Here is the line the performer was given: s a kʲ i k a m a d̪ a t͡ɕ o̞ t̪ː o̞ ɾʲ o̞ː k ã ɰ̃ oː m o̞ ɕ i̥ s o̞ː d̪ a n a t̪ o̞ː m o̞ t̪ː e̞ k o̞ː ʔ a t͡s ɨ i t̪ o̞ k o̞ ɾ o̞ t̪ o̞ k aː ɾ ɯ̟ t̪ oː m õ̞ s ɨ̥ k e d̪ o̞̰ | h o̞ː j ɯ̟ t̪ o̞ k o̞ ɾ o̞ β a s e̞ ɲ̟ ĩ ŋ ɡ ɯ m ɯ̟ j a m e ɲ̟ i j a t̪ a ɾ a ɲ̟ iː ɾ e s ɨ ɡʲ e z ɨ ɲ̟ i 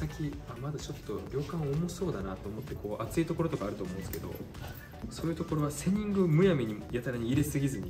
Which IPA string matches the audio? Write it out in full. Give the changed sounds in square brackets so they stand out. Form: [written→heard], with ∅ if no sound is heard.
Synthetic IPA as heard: s a kʲ i [k→∅] a m a d̪ a t͡ɕ o̞ t̪ː o̞ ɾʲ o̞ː k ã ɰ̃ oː m o̞ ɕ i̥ s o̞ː d̪ a n a t̪ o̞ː m o̞ t̪ː e̞ k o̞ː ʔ a t͡s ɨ i t̪ o̞ k o̞ ɾ o̞ t̪ o̞ k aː ɾ ɯ̟ t̪ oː m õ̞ s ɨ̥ k e d̪ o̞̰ | [h→s] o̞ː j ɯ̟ t̪ o̞ k o̞ ɾ o̞ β a s e̞ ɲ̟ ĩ ŋ ɡ ɯ m ɯ̟ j a m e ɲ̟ i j a t̪ a ɾ a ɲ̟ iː ɾ e s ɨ ɡʲ [e→i] z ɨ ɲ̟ i